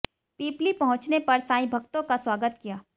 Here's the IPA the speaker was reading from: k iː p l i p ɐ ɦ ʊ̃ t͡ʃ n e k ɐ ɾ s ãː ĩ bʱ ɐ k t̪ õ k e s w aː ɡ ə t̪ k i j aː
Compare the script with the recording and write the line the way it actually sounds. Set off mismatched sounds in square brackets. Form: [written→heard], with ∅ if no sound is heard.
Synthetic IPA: [k→p] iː p l i p ɐ ɦ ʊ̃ t͡ʃ n e [k→p] ɐ ɾ s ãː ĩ bʱ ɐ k t̪ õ k [e→a] s w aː ɡ ə t̪ k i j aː